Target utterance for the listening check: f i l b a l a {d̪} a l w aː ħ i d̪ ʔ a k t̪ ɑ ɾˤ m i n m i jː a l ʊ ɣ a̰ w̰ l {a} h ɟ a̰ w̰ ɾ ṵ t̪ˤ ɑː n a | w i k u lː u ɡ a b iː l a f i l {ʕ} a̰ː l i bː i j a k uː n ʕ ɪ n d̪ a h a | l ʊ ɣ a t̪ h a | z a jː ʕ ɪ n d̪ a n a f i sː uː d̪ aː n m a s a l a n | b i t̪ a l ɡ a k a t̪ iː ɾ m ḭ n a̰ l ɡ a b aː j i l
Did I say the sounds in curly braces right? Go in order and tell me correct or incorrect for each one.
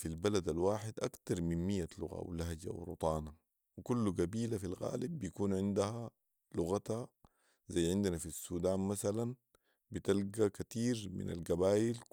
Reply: correct, correct, incorrect: ɣ

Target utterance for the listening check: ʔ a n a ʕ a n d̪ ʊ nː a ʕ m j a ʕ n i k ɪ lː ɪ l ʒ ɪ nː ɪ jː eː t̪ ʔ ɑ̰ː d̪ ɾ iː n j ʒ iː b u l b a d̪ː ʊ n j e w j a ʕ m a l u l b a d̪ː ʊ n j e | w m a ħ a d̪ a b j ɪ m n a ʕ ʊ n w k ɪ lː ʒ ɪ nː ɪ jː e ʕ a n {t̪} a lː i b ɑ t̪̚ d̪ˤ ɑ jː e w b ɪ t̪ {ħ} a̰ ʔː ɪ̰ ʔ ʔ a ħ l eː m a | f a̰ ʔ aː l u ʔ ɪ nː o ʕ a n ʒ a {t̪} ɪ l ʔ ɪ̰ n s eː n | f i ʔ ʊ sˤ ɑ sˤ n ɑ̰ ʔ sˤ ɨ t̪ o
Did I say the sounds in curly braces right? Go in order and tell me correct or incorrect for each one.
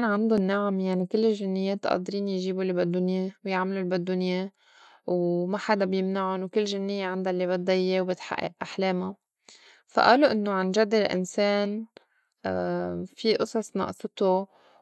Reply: incorrect: d̪, correct, incorrect: d̪

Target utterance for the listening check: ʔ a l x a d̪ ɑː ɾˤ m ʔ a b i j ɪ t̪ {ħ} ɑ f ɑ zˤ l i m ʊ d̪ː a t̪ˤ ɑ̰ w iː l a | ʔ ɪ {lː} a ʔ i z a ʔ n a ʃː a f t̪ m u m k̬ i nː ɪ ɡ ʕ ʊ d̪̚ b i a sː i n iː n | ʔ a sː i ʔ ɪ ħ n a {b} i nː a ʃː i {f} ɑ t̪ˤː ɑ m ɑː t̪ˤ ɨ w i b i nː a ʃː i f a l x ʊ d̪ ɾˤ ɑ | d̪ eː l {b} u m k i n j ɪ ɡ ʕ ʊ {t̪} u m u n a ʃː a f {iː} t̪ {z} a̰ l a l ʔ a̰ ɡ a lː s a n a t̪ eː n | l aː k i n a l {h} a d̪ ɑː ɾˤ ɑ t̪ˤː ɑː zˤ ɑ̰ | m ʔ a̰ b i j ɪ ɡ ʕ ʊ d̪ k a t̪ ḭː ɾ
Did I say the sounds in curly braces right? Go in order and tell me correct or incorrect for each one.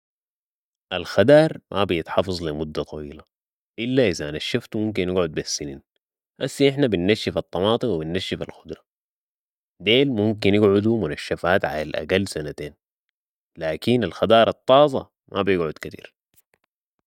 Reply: correct, correct, correct, correct, incorrect: m, incorrect: d̪, incorrect: aː, incorrect: ʕ, incorrect: x

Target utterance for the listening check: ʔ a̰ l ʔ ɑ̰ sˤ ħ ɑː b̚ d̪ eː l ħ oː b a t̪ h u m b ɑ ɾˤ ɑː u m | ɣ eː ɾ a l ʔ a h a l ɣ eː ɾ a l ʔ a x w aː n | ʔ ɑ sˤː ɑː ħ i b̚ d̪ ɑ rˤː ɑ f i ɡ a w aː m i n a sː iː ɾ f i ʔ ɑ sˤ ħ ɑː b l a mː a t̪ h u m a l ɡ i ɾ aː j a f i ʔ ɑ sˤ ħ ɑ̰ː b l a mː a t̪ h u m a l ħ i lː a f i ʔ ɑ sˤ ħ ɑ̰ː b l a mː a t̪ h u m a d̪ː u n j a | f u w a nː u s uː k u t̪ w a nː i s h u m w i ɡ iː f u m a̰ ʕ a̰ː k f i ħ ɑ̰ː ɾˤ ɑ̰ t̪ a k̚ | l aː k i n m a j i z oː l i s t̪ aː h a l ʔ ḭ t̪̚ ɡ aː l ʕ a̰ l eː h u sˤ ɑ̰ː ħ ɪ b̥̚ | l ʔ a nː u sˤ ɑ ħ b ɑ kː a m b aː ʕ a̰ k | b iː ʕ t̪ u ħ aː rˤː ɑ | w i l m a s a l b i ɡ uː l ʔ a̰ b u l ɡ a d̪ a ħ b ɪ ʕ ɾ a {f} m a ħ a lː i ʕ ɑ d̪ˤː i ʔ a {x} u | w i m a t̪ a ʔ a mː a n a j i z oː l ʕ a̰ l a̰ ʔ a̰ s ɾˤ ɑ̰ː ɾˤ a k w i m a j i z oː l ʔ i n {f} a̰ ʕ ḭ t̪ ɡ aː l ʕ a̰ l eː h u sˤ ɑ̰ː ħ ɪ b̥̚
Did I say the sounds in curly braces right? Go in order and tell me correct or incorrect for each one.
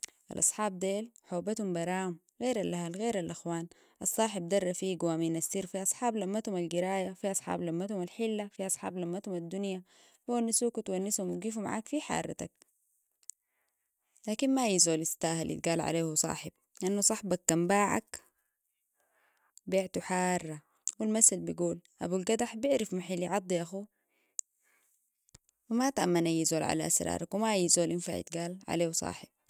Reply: correct, correct, correct

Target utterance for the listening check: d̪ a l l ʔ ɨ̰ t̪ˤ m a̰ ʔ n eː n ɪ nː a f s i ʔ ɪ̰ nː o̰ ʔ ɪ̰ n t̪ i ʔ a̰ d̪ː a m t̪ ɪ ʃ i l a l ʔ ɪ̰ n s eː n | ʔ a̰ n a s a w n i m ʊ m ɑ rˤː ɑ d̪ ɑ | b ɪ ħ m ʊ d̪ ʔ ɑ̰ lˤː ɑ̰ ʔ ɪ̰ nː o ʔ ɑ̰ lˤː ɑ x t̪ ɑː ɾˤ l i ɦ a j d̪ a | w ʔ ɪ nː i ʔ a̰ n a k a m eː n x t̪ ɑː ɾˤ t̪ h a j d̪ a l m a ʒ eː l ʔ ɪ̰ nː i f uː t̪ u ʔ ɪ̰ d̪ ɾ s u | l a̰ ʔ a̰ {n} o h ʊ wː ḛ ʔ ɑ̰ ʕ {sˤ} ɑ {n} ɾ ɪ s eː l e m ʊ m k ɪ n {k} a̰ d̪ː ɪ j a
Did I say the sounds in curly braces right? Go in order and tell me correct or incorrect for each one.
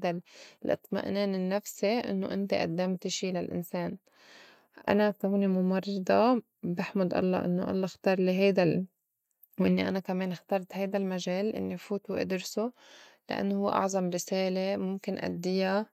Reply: incorrect: nː, incorrect: zˤ, incorrect: m, incorrect: ʔ

